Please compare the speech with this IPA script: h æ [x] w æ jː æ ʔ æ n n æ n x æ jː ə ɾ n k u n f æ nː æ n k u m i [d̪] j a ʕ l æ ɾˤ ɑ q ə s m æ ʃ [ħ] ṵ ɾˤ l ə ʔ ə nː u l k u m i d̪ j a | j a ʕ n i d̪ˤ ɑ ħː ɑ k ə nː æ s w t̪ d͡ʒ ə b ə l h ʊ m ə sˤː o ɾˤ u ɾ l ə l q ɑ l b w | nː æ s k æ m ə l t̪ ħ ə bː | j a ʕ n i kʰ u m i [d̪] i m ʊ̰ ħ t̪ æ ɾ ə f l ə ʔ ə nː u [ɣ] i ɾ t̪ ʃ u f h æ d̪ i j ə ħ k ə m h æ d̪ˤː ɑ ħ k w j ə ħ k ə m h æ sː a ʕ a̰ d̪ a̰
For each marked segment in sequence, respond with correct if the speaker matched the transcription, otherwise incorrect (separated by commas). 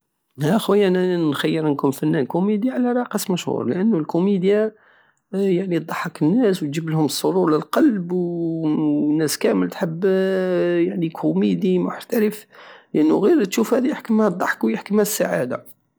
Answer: correct, correct, incorrect, correct, correct